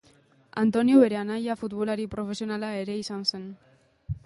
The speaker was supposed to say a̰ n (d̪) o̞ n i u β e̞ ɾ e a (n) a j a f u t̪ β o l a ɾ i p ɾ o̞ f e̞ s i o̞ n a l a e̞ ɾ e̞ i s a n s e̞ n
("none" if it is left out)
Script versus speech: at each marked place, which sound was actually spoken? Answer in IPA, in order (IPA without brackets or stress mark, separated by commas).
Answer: t̪, n